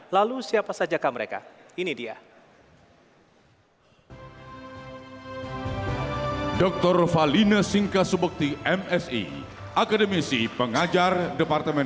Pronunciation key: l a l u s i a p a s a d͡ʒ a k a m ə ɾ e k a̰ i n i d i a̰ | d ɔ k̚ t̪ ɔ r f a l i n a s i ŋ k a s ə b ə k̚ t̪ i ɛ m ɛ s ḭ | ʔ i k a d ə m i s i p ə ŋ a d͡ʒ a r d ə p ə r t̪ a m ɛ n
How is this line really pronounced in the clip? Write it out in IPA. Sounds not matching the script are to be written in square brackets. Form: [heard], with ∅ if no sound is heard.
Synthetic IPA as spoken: l a l u s i a p a s a d͡ʒ a k a m ə ɾ e k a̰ i n i d i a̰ | d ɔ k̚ t̪ ɔ r f a l i n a s i ŋ k a s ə b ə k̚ t̪ i ɛ m ɛ s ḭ | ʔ [a] k a d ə m i s i p ə ŋ a d͡ʒ a r d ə p [a] r t̪ [ə] m ɛ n